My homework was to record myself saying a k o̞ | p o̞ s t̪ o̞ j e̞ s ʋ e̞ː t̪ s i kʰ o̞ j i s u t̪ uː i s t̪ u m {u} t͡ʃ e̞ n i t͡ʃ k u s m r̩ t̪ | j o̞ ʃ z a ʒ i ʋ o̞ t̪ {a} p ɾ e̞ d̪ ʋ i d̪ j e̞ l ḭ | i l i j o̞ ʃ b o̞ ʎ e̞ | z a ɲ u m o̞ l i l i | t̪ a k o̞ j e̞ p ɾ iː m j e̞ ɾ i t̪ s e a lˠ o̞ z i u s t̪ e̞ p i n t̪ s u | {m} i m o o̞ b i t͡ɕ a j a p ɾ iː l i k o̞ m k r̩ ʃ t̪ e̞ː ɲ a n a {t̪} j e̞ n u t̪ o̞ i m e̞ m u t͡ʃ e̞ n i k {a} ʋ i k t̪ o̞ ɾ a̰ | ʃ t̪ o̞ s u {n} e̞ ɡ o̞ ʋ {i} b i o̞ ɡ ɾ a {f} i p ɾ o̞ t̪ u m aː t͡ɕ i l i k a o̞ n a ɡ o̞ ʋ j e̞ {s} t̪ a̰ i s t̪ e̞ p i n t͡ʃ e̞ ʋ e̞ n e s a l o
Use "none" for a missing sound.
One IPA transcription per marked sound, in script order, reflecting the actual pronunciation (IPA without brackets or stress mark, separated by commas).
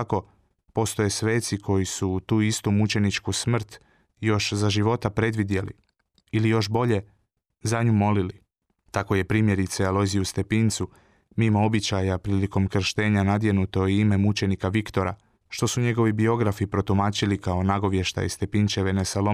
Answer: u, a, m, d̪, a, ɲ, i, f, ʃ